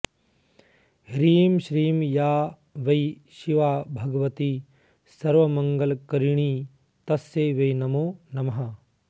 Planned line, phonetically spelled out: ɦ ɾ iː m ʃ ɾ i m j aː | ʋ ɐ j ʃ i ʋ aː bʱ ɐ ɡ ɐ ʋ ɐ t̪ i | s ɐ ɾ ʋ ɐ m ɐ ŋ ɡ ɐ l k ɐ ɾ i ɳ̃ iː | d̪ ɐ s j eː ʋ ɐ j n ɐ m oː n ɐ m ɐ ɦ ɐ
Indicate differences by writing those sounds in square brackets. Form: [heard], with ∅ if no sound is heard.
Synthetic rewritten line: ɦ ɾ iː m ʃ ɾ [iː] m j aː | ʋ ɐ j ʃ i ʋ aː bʱ ɐ ɡ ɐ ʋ ɐ t̪ i | s ɐ ɾ ʋ ɐ m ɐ ŋ ɡ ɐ l k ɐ ɾ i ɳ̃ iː | [t̪] ɐ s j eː ʋ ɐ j n ɐ m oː n ɐ m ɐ ɦ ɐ